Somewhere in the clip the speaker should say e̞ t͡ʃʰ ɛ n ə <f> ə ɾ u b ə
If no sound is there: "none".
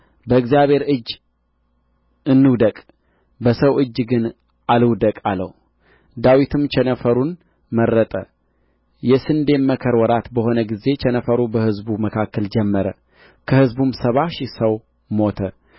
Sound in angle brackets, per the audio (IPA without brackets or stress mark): f